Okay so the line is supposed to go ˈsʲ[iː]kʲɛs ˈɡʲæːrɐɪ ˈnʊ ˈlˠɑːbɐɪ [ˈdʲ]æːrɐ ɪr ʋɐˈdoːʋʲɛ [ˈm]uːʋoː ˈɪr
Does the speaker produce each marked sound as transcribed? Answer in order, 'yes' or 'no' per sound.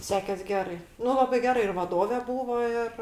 no, no, no

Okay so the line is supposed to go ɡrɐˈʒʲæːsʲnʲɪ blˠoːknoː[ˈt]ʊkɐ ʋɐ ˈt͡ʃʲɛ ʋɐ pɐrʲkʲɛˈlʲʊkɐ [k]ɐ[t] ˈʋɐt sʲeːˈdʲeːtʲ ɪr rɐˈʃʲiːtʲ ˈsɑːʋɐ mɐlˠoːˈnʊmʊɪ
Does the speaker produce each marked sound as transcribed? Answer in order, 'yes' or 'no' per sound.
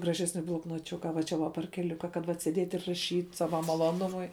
no, yes, yes

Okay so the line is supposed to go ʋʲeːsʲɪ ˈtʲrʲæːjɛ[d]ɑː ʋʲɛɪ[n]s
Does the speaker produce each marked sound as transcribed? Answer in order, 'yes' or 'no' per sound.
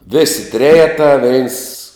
no, yes

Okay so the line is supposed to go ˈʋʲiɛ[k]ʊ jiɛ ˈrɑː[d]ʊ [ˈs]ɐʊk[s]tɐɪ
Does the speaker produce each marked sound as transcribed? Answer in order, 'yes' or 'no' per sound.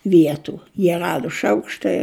no, yes, no, no

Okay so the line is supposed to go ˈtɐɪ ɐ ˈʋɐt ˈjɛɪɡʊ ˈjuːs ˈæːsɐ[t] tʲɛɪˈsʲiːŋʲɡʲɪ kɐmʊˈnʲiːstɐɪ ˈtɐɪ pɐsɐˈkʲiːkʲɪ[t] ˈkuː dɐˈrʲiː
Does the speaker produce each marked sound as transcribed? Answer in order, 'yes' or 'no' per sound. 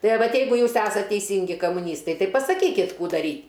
yes, yes

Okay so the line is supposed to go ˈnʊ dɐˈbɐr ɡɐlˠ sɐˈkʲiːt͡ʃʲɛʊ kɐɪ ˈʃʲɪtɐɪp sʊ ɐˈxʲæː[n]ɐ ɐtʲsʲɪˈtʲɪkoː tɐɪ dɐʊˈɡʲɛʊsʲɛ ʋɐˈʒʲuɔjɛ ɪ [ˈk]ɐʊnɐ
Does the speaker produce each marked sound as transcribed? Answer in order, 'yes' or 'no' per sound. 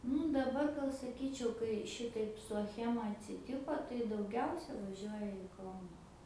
no, yes

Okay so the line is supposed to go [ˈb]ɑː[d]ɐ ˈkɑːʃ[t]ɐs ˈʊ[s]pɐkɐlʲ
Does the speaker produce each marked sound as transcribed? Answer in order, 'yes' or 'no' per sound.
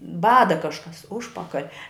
yes, yes, no, no

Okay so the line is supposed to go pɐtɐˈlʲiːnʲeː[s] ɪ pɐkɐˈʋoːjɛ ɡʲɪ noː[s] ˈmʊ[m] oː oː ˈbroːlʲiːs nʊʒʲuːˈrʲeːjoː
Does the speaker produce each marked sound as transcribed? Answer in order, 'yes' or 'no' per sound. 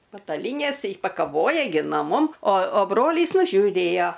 yes, no, yes

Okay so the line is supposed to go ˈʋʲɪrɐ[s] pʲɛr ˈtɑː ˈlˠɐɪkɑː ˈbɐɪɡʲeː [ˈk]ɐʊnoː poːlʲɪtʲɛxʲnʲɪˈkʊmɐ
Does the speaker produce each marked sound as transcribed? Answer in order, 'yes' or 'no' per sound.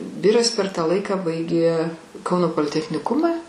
yes, yes

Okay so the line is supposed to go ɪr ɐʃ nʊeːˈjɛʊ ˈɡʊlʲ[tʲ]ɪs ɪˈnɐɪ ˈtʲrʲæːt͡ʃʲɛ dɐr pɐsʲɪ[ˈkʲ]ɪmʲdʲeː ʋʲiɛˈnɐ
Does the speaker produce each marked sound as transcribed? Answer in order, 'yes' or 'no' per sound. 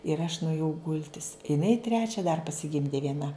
yes, no

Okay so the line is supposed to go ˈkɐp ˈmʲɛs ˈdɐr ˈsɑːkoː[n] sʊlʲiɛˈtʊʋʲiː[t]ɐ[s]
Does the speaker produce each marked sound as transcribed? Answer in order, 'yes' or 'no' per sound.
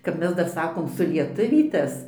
no, yes, yes

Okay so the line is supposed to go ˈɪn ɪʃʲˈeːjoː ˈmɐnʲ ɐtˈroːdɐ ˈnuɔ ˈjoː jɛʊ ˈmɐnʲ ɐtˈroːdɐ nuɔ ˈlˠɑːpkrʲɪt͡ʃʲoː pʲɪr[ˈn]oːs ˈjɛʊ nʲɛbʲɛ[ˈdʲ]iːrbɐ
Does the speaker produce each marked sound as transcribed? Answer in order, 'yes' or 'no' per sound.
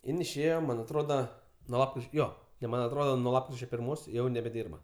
no, yes

